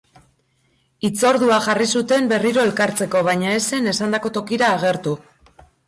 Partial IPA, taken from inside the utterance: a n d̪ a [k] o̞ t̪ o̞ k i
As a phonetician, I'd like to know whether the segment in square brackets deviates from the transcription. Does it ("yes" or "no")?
no